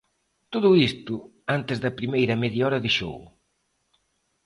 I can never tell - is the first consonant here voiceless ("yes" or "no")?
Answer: yes